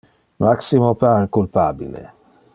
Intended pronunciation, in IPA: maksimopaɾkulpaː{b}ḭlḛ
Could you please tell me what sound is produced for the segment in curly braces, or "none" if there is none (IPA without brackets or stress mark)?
b